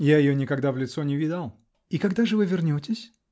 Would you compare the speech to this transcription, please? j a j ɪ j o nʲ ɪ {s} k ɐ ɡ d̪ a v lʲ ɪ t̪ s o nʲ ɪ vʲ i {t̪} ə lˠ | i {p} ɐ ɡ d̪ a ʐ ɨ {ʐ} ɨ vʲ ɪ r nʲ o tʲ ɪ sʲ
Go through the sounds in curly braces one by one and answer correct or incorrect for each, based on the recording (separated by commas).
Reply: incorrect, incorrect, incorrect, incorrect